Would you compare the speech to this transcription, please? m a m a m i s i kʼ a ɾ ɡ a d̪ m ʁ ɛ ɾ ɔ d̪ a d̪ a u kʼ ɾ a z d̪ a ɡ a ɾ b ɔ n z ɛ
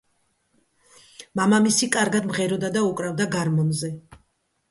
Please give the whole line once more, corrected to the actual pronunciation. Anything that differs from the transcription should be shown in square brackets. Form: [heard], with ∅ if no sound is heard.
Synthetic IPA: m a m a m i s i kʼ a ɾ ɡ a d̪ m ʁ ɛ ɾ ɔ d̪ a d̪ a u kʼ ɾ a [v] d̪ a ɡ a ɾ [m] ɔ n z ɛ